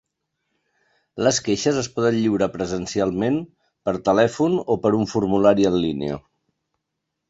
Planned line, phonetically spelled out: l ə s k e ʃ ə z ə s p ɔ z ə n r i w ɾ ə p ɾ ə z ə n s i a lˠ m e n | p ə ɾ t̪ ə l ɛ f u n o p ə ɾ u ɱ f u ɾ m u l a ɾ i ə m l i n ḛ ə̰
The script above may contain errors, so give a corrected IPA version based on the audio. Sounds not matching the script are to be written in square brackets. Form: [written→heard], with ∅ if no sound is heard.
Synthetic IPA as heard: l ə s k e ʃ ə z ə s p ɔ [z→ð] ə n [r→ʎ] i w ɾ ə p ɾ ə z ə n s i a lˠ m e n | p ə ɾ t̪ ə l ɛ f u n o p ə ɾ u ɱ f u ɾ m u l a ɾ i ə [m→n] l i n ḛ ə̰

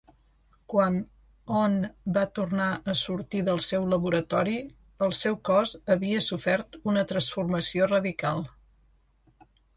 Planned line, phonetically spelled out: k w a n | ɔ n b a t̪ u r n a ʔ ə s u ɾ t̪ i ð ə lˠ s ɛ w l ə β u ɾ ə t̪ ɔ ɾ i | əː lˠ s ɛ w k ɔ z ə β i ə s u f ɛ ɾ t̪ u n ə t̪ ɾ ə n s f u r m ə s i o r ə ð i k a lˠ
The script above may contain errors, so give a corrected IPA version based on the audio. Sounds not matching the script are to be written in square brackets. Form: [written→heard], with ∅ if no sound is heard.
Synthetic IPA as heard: k w a n | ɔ n b a t̪ u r n a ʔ ə s u ɾ t̪ i ð ə lˠ s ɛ w l ə β u ɾ ə t̪ ɔ ɾ i | [əː→ə] lˠ s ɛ w k ɔ z ə β i ə s u f ɛ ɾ t̪ u n ə t̪ ɾ ə n s f u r m ə s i o r ə ð i k a lˠ

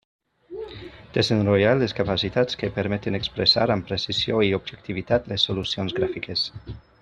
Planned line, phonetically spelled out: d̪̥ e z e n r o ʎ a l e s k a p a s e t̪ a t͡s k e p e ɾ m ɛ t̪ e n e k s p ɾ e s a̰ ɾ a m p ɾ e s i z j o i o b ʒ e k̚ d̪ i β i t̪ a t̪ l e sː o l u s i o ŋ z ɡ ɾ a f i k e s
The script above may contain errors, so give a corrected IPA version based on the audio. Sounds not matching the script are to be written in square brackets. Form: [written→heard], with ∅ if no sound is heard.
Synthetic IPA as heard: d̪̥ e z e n r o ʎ a l e s k a p a s [e→i] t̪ a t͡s k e p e ɾ m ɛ t̪ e n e k s p ɾ e s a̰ ɾ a m p ɾ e s i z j o i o b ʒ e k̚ [d̪→t̪] i β i t̪ a t̪ l e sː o l u s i o [ŋ→n] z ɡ ɾ a f i k e s

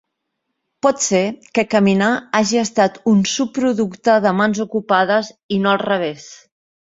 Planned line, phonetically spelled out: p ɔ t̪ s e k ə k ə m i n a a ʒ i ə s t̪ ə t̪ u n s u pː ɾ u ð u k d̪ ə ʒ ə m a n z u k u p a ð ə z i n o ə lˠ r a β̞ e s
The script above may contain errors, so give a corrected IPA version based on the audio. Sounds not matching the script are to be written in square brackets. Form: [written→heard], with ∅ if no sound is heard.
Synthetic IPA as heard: p ɔ t̪ s e k ə k ə m i n a a ʒ i ə s t̪ [ə→a] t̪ u n s u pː ɾ u ð u k [d̪→t̪] ə [ʒ→ð] ə m a n z u k u p a ð ə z i n o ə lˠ r [a→ə] β̞ e s

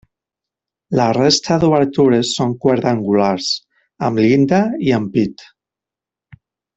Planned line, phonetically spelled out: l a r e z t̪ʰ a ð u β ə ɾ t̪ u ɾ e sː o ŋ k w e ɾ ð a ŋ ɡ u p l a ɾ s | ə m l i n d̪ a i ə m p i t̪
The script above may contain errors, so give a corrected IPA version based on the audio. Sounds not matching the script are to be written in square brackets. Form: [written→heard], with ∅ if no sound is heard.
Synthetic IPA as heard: l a r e [z→s] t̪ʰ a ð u β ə ɾ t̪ u ɾ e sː o ŋ k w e ɾ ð a ŋ ɡ u [p→∅] l a ɾ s | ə m l i n d̪ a i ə m p i t̪

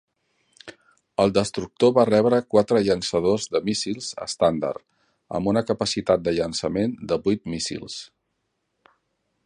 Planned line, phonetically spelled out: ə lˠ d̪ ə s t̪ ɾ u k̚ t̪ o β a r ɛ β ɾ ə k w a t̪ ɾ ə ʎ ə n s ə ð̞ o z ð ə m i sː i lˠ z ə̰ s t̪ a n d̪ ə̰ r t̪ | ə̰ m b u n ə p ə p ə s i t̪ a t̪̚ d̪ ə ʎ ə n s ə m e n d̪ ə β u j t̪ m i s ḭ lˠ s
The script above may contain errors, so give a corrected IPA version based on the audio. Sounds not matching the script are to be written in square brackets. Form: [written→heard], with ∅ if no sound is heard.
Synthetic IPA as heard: ə lˠ d̪ ə s t̪ ɾ u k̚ t̪ o β a r ɛ β ɾ ə k w a t̪ ɾ ə ʎ ə n s ə ð̞ o z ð ə m i [sː→s] i lˠ z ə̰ s t̪ a n d̪ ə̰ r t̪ | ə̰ m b u n ə [p→k] ə p ə s i t̪ a t̪̚ d̪ ə ʎ ə n s ə m e n d̪ ə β u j t̪ m i s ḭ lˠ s

